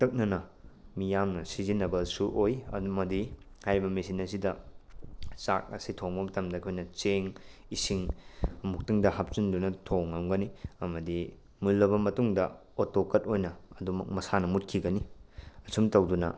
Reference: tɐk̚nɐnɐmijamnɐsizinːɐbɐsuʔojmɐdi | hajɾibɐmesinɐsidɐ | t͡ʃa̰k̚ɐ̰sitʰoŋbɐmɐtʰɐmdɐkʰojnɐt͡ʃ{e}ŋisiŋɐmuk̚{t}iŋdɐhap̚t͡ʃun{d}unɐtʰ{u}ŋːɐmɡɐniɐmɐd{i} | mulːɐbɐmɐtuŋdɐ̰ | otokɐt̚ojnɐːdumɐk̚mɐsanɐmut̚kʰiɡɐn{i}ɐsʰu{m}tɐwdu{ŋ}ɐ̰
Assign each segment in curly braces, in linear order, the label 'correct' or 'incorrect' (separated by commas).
correct, correct, correct, incorrect, correct, correct, correct, incorrect